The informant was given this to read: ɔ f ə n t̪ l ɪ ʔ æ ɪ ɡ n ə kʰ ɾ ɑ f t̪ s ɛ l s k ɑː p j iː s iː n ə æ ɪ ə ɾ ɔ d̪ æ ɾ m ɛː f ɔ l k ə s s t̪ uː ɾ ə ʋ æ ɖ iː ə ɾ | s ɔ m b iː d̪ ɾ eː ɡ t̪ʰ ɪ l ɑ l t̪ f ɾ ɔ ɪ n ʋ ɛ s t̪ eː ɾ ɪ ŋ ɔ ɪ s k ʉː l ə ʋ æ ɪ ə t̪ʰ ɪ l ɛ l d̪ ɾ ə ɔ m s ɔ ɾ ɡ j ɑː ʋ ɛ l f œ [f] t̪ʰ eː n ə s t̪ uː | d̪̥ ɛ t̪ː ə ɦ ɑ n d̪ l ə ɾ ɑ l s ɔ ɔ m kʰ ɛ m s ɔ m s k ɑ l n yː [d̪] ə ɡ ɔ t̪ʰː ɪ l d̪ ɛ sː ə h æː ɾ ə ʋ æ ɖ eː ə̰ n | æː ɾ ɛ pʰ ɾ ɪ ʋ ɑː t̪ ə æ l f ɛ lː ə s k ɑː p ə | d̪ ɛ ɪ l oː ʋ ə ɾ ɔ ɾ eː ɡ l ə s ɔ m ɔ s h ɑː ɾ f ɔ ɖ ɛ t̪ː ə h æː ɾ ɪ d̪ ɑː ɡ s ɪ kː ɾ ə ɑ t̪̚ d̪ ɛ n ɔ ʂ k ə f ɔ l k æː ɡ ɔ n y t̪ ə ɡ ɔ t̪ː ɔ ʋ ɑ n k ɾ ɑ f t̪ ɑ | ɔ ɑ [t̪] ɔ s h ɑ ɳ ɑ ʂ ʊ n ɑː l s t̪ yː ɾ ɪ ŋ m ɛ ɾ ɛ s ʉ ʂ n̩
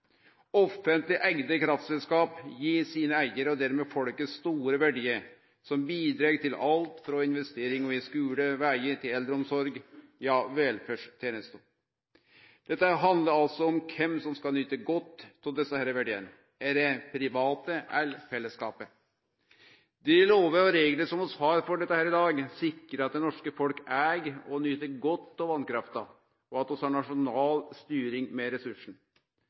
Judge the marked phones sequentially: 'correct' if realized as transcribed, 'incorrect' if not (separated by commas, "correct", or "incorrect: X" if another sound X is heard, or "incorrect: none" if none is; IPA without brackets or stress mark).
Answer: incorrect: ʂ, incorrect: t̪, correct